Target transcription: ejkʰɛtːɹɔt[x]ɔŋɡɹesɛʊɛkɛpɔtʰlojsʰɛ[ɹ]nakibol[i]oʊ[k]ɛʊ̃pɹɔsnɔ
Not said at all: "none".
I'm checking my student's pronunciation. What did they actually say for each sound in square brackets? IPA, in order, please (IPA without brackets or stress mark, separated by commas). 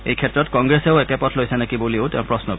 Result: k, none, i, t